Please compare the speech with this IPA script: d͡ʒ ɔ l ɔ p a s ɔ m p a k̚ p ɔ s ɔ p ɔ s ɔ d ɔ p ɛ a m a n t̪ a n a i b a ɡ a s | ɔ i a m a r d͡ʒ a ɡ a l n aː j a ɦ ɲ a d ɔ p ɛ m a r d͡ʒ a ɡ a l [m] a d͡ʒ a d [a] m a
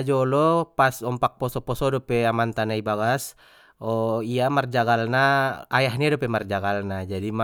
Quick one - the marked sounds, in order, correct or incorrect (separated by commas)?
incorrect, incorrect